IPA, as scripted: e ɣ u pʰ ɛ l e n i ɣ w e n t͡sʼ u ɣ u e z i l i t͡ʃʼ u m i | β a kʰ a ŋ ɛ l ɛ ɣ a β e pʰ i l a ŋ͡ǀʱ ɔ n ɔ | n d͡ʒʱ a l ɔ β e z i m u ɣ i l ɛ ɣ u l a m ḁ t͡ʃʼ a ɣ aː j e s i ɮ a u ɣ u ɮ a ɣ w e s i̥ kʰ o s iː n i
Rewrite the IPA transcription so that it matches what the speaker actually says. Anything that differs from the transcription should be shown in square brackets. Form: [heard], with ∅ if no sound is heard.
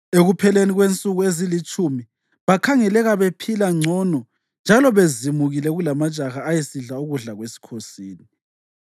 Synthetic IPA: e ɣ u pʰ ɛ l e n i ɣ w e n t͡sʼ u ɣ u e z i l i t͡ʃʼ u m i | β a kʰ a ŋ ɛ l ɛ ɣ a β e pʰ i l a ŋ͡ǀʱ ɔ n ɔ | n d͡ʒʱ a l ɔ β e z i m u ɣ i l ɛ ɣ u l a m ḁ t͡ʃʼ a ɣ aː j e s i ɮ a u ɣ u ɮ a ɣ w e s i̥ kʰ o s iː n i